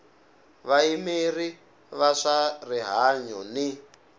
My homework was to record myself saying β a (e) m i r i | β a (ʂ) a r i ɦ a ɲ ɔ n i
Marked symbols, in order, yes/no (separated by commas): no, yes